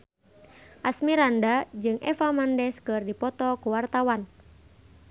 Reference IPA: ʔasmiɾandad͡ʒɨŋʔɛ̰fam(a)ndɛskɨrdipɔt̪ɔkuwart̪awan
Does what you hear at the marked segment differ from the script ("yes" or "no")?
no